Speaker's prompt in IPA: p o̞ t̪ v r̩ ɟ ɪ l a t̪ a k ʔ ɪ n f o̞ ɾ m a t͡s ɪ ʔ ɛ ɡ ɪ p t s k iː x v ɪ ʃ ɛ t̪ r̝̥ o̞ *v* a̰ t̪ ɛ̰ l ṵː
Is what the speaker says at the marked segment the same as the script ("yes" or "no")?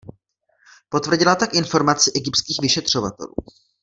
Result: yes